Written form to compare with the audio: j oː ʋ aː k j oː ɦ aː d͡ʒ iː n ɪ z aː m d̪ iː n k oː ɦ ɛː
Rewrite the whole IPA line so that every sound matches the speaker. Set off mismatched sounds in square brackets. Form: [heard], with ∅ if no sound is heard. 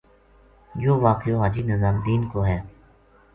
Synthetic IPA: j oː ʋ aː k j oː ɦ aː d͡ʒ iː n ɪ z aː m d̪ iː n k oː ɦ ɛː